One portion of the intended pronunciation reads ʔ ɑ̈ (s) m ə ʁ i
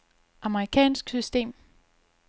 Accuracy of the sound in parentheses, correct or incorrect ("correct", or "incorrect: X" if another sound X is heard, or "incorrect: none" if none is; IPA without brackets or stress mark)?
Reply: incorrect: none